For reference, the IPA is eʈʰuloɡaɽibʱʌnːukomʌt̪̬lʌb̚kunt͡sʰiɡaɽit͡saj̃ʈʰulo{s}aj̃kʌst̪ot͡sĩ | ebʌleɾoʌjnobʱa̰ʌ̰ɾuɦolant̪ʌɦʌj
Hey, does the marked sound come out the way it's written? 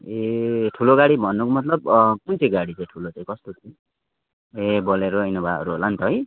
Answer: no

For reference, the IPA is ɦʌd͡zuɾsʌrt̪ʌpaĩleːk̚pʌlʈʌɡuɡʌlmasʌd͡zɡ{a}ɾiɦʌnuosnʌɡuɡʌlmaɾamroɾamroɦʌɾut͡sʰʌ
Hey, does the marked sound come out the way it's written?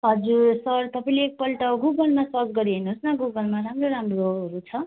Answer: no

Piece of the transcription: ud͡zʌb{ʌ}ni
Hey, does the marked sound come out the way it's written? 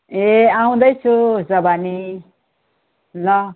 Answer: no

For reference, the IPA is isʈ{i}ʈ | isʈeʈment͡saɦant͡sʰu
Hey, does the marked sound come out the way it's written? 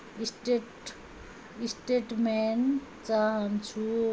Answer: no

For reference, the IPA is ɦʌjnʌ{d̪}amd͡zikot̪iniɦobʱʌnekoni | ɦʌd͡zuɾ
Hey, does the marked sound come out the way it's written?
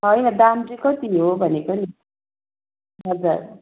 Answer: yes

